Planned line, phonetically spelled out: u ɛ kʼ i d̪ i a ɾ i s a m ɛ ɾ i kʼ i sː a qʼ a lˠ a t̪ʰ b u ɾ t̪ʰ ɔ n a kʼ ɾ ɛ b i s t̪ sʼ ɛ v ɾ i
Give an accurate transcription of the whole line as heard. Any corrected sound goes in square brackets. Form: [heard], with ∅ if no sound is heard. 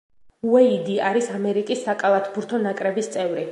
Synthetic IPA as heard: u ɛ [∅] i d̪ i a ɾ i s a m ɛ ɾ i kʼ i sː a [kʼ] a lˠ a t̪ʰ b u ɾ t̪ʰ ɔ n a kʼ ɾ ɛ b i s t̪ sʼ ɛ v ɾ i